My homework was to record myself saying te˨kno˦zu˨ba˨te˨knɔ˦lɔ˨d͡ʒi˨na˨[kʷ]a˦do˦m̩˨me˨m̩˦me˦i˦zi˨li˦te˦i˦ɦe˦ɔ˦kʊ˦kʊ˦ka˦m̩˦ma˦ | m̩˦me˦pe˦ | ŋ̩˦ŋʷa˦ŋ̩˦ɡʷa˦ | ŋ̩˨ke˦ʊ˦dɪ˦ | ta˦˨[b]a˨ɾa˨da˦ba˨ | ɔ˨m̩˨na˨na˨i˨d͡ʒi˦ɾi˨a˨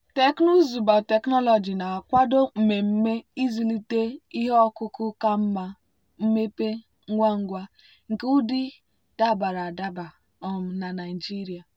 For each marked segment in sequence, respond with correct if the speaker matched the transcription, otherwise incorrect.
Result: correct, correct

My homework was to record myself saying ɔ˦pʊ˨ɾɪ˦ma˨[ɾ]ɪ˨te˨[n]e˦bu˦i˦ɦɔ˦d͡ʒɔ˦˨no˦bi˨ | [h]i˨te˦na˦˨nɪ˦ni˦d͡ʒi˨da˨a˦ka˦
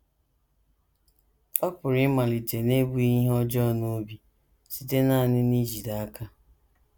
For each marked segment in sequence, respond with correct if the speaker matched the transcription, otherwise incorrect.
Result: incorrect, correct, incorrect

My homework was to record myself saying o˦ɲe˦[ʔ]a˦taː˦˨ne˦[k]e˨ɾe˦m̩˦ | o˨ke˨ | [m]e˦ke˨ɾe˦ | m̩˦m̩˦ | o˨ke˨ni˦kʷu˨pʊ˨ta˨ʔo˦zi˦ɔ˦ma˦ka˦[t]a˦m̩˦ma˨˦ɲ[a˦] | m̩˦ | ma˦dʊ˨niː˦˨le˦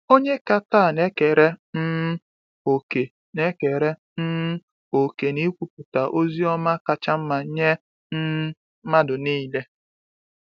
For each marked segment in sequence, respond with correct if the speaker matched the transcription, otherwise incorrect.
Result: incorrect, correct, incorrect, incorrect, incorrect

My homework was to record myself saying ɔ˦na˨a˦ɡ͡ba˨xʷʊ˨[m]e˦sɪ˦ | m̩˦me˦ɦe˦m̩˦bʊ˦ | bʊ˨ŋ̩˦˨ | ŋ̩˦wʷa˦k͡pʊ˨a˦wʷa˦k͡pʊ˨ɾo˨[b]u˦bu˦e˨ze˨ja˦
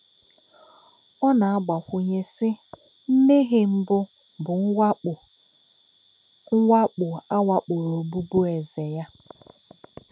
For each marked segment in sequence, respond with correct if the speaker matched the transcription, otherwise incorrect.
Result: incorrect, correct

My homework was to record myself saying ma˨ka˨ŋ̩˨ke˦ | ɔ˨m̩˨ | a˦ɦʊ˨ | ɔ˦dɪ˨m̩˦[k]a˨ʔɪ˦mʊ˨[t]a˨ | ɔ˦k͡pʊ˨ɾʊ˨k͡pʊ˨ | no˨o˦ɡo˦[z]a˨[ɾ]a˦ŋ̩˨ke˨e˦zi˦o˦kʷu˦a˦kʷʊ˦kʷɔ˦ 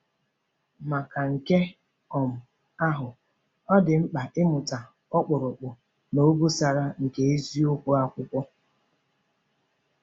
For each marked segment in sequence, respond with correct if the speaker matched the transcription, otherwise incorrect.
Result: incorrect, correct, incorrect, correct

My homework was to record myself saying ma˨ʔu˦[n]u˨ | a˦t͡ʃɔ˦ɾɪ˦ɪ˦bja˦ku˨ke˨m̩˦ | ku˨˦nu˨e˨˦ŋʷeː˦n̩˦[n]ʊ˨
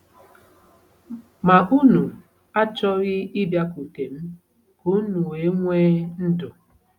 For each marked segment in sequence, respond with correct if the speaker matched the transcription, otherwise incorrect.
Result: correct, incorrect

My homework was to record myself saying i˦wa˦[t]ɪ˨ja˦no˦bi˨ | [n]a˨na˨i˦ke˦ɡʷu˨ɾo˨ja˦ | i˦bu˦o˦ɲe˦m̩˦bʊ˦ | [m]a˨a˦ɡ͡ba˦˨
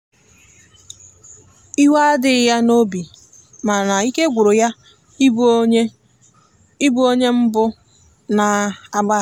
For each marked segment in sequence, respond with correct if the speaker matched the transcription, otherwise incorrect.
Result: incorrect, incorrect, incorrect

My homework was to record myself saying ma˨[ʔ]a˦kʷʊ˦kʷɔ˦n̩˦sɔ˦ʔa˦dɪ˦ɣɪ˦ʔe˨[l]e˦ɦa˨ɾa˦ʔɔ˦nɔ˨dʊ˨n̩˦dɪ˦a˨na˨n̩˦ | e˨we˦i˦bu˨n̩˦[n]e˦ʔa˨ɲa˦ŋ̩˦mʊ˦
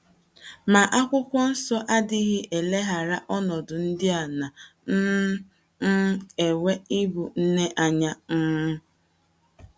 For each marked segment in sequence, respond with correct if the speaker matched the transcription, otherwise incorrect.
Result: correct, correct, correct

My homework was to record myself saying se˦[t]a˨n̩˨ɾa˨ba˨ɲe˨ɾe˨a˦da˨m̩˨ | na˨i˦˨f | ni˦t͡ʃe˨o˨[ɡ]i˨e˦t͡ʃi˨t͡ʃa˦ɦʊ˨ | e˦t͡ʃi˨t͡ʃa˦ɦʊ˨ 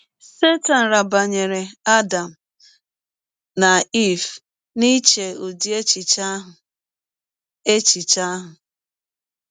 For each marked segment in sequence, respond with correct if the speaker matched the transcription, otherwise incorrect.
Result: correct, incorrect

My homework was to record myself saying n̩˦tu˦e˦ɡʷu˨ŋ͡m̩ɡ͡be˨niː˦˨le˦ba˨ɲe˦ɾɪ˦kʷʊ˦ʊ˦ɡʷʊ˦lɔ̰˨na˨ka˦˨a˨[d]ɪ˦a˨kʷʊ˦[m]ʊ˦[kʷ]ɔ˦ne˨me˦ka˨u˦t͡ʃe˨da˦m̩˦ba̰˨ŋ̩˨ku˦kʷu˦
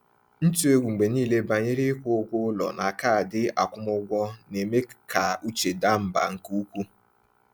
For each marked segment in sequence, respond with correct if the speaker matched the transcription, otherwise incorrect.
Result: correct, correct, incorrect

